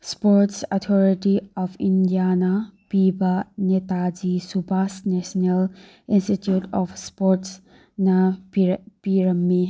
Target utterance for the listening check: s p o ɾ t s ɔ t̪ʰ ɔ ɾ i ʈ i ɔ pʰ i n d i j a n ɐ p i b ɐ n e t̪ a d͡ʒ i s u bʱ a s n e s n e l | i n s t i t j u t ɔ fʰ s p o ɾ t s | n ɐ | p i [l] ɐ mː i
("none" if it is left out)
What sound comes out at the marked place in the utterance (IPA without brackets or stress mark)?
ɾ